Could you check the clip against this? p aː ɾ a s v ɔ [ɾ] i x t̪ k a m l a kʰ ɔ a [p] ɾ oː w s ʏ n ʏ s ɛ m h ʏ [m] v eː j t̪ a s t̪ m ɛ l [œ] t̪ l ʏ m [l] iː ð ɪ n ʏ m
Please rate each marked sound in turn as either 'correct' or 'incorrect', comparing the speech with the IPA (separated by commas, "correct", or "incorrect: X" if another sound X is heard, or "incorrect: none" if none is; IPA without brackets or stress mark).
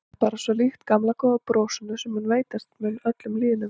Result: incorrect: l, correct, incorrect: n, correct, correct